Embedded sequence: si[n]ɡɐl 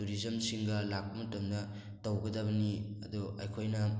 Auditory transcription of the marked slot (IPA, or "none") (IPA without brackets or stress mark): ŋ